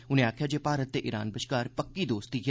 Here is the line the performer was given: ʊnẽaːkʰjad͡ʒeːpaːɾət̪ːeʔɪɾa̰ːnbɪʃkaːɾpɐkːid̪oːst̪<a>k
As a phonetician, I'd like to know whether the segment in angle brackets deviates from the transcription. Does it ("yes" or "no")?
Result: yes